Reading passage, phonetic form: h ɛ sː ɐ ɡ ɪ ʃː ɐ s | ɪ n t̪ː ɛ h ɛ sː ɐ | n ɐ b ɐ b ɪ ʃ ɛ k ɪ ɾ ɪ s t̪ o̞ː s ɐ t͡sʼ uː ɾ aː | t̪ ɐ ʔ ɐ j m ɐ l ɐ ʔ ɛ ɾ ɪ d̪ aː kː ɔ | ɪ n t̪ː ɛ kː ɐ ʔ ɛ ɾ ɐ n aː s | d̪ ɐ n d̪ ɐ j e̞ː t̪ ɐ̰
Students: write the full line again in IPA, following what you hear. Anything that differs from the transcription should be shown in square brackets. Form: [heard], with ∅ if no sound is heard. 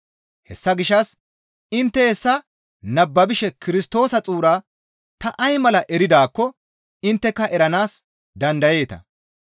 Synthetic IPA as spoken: h ɛ sː ɐ ɡ ɪ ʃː ɐ s | ɪ n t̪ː ɛ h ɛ sː ɐ | n ɐ [bː] ɐ b ɪ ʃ ɛ k ɪ ɾ ɪ s t̪ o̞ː s ɐ t͡sʼ uː ɾ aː | t̪ ɐ ʔ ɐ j m ɐ l ɐ ʔ ɛ ɾ ɪ d̪ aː kː ɔ | ɪ n t̪ː ɛ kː ɐ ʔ ɛ ɾ ɐ n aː s | d̪ ɐ n d̪ ɐ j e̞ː t̪ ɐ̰